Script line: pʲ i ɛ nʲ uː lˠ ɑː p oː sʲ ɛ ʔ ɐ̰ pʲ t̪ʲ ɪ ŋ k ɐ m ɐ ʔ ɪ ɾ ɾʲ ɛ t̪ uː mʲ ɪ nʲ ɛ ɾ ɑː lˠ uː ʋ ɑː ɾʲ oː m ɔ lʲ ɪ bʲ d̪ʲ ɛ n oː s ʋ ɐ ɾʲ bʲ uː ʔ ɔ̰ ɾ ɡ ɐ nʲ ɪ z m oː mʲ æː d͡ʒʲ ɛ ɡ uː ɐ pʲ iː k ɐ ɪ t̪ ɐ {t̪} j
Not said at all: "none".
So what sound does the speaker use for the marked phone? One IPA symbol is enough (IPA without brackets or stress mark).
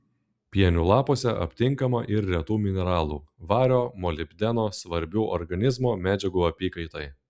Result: none